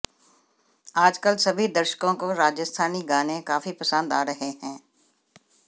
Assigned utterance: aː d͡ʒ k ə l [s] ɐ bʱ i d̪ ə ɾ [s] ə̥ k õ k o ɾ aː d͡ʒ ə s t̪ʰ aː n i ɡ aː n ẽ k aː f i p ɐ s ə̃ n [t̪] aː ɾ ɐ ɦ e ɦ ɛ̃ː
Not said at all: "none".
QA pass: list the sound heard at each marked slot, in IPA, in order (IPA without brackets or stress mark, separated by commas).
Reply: s, ʃ, d̪